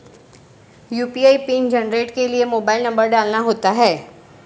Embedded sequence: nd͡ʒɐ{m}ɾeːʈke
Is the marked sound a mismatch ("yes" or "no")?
yes